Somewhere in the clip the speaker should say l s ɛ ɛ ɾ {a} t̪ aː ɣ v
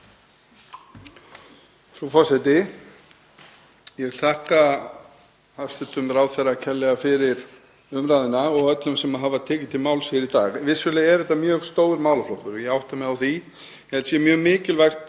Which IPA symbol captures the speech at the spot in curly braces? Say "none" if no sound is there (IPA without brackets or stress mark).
i